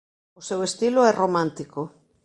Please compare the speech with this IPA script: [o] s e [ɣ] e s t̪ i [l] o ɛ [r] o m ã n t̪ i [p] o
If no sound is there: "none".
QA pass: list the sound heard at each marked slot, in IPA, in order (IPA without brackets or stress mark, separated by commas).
o, w, l, r, k